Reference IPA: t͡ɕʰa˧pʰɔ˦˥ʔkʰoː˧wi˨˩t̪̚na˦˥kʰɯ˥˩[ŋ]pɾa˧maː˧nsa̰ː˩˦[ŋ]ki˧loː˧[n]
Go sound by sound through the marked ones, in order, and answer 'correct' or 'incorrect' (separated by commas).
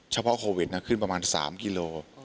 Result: incorrect, incorrect, incorrect